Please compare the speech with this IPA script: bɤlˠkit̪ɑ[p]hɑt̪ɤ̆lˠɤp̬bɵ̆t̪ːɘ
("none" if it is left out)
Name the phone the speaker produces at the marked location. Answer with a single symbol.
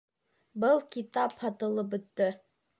p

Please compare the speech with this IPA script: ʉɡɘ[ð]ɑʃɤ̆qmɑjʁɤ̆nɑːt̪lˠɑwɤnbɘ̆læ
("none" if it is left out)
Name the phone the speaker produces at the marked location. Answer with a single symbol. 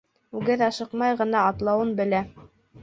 ð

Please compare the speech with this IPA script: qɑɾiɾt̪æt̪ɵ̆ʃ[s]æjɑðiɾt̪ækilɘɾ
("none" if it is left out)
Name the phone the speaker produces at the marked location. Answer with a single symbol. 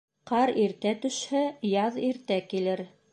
h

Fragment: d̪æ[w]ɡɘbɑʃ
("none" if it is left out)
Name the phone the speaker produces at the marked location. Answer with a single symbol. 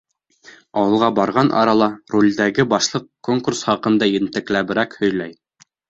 none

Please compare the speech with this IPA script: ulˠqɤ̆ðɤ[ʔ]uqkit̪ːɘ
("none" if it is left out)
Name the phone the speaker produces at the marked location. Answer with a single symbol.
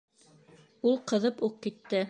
p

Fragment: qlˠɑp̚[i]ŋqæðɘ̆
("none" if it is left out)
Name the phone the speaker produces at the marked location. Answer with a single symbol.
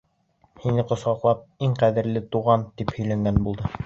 i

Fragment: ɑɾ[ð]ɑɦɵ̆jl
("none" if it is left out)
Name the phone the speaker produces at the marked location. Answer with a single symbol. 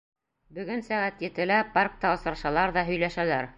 ð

